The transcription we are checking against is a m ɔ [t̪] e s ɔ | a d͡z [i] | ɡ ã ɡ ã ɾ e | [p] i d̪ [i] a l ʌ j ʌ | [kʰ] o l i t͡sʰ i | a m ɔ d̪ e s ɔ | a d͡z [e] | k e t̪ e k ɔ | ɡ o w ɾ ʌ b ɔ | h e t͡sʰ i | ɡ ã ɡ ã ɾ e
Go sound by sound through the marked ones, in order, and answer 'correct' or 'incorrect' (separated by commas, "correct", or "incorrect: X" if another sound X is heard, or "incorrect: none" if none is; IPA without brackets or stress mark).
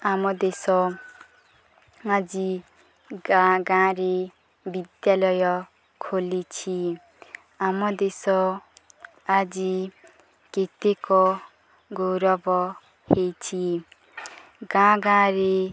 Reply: incorrect: d̪, correct, incorrect: b, incorrect: j, correct, incorrect: i